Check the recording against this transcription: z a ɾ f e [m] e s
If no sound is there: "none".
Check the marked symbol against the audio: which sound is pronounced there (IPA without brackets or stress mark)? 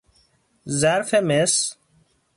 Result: m